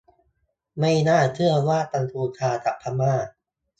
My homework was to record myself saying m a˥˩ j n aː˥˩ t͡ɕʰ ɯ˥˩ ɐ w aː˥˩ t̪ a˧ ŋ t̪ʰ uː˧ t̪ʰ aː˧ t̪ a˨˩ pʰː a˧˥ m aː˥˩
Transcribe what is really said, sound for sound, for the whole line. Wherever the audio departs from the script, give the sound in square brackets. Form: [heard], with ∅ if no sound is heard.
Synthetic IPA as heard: m a˥˩ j n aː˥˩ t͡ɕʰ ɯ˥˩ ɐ w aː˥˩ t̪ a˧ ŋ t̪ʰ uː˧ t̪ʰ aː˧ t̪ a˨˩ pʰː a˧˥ m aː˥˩